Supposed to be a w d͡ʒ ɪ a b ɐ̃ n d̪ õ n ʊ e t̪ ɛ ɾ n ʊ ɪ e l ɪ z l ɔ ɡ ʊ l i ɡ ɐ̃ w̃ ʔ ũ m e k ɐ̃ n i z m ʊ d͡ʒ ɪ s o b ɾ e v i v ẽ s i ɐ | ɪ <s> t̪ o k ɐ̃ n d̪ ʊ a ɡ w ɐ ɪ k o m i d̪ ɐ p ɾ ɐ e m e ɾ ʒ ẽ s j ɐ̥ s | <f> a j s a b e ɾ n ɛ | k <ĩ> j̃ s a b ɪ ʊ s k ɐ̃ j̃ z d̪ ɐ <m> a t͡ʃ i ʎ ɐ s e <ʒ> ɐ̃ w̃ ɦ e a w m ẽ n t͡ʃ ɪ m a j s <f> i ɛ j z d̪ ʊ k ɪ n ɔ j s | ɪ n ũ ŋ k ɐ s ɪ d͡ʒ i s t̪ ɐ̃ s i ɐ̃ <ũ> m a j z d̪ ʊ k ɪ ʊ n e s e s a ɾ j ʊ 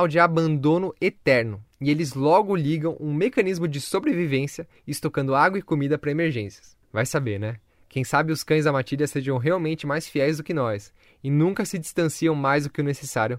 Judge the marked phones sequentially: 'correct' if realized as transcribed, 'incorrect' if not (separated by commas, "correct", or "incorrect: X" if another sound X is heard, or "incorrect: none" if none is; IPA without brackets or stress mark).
correct, incorrect: v, incorrect: ẽ, correct, correct, correct, incorrect: w̃